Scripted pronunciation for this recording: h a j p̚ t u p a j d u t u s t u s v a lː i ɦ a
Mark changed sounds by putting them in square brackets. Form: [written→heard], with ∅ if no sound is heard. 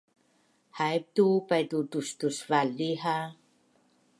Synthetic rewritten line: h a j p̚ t u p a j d u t u s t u s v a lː i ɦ a